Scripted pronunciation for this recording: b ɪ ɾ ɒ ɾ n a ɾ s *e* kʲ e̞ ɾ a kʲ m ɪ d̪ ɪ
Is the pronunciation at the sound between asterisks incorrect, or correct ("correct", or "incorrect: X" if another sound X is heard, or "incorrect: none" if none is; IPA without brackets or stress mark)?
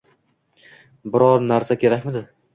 incorrect: a